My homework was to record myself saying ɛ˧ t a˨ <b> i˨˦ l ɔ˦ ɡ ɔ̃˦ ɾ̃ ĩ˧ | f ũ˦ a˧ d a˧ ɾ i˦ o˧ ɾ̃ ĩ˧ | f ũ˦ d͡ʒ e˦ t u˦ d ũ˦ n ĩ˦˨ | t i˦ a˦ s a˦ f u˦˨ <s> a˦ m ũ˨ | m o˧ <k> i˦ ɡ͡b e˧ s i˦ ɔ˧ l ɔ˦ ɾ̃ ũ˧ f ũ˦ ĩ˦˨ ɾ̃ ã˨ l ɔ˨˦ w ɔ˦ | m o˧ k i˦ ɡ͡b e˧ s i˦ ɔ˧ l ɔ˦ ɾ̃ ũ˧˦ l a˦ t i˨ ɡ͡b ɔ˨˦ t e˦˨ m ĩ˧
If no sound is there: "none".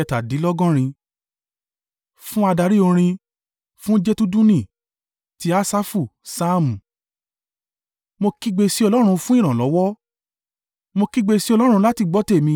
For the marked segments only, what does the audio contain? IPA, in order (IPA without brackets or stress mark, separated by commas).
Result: d, s, k